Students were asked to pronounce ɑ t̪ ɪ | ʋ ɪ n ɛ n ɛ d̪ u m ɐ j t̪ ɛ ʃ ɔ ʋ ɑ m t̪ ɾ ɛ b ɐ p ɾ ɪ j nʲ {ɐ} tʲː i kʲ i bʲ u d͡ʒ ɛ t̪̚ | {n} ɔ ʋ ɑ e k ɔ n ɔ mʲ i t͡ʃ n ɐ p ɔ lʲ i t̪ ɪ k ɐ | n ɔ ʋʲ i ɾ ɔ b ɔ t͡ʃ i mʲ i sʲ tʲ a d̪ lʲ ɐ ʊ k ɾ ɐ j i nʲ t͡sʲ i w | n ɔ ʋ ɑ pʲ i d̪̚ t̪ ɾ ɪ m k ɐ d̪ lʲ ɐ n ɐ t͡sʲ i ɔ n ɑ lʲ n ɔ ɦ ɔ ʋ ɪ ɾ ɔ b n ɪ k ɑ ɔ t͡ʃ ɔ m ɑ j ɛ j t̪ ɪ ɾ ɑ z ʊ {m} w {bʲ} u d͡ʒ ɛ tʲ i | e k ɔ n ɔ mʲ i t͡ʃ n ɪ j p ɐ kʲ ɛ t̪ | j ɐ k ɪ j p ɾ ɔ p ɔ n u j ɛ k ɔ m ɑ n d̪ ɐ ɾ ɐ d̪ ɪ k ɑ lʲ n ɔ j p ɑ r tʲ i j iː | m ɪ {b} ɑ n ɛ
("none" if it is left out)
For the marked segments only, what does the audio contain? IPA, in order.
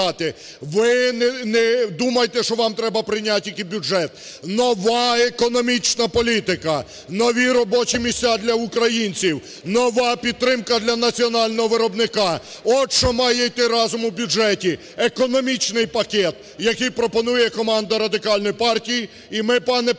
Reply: a, n, m, bʲ, p

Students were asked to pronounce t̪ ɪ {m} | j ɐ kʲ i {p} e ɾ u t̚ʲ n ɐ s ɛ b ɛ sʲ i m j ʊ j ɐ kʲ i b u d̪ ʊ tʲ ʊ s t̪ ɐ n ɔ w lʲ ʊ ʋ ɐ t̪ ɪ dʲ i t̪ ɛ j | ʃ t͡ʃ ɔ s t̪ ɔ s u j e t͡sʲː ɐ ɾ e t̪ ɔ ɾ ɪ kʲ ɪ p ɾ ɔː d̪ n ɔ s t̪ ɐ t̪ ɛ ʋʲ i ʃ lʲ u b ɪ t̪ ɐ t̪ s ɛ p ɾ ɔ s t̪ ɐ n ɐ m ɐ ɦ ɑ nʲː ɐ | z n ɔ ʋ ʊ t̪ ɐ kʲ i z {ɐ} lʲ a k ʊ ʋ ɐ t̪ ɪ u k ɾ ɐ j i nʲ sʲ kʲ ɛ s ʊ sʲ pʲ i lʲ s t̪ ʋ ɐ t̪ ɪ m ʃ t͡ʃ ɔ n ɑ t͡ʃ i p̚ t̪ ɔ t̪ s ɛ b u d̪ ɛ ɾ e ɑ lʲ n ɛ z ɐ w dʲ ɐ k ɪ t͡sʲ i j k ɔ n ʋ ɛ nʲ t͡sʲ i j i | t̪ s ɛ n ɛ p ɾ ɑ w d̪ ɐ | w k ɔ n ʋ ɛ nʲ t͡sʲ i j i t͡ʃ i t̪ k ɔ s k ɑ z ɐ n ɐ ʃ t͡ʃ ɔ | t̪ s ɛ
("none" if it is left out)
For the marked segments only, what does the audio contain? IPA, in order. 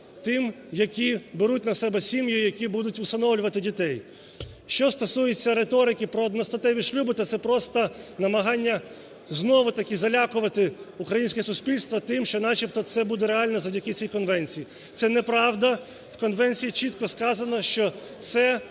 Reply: m, b, ɐ

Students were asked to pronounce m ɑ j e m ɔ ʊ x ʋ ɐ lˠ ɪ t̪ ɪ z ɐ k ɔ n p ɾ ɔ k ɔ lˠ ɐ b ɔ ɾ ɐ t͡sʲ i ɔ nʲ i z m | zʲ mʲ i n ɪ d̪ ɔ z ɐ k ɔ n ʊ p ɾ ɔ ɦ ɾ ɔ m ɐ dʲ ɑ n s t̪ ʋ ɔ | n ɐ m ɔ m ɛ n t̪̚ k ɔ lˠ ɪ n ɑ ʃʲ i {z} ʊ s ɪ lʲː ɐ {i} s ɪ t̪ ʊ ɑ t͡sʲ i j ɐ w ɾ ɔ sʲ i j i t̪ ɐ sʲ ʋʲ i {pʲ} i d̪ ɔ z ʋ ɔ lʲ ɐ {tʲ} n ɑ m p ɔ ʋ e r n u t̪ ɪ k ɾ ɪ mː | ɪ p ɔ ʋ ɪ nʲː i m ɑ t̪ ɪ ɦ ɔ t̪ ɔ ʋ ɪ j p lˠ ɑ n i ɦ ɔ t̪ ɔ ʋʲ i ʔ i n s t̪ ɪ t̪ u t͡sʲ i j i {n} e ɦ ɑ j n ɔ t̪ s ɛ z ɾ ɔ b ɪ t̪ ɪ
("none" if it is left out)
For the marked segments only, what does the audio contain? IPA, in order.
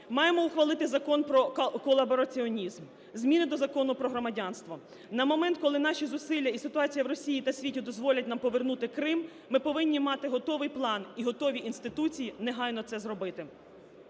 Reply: z, i, tʲ, tʲ, n

